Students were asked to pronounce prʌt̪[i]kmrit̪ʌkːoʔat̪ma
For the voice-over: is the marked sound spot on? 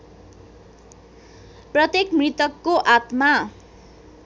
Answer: no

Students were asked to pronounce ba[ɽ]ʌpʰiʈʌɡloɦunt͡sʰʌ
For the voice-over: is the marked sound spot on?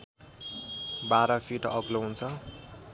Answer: no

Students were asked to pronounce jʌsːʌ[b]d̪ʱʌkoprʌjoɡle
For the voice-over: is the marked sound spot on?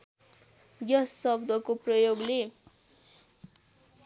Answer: yes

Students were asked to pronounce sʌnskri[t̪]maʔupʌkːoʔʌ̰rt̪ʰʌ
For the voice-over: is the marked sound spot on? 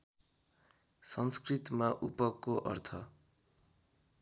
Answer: yes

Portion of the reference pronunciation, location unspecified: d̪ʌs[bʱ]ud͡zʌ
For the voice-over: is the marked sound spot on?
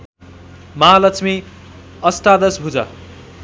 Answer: yes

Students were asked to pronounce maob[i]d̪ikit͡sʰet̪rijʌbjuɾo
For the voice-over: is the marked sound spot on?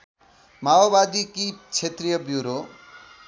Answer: no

